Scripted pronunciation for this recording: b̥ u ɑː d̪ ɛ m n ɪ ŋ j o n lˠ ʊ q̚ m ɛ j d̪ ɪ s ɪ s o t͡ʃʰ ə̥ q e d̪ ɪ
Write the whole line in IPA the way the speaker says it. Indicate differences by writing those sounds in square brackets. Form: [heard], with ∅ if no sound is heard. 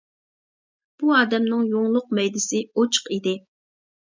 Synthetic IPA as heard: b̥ u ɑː d̪ ɛ m n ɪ ŋ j o [ŋ] lˠ ʊ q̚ m ɛ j d̪ ɪ s ɪ [∅] o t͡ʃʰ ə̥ q [i] d̪ ɪ